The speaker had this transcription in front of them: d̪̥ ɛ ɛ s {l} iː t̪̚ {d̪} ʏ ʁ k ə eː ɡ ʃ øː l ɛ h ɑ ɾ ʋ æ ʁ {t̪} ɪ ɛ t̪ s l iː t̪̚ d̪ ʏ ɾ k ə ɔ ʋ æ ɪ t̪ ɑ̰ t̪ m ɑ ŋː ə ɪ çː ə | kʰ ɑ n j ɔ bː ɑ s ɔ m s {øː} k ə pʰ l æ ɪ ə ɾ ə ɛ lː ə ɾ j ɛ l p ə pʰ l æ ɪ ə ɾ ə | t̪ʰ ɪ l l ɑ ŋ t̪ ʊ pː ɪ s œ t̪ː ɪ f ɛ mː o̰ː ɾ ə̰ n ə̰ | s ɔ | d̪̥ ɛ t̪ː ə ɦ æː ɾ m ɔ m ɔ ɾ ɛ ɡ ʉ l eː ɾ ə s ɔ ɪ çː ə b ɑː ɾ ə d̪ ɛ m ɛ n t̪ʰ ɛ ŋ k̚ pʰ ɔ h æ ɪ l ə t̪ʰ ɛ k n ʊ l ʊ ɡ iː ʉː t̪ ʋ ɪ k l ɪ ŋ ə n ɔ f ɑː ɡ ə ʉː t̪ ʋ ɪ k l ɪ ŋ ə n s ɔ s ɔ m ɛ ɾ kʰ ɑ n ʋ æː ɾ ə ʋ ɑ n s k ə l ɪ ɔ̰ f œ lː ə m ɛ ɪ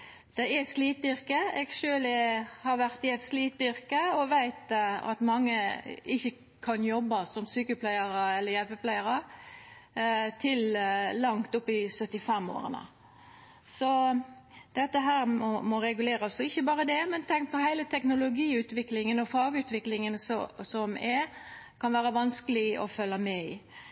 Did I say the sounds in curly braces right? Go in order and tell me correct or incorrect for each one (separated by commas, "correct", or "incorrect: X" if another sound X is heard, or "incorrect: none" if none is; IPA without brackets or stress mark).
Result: correct, correct, correct, incorrect: yː